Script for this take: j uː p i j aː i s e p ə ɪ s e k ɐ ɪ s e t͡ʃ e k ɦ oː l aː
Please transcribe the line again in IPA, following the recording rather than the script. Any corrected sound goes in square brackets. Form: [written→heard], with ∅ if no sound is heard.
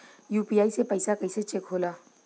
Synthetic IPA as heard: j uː p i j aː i s e p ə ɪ s [e→a] k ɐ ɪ s e t͡ʃ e k ɦ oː l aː